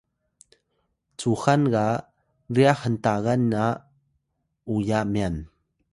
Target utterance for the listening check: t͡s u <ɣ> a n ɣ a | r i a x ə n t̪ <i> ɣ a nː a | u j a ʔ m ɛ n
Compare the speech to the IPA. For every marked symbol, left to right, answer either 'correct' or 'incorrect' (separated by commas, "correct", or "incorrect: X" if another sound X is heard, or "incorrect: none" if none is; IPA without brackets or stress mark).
incorrect: x, incorrect: a